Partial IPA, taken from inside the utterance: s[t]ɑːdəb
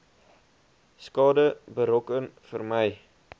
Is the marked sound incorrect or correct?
incorrect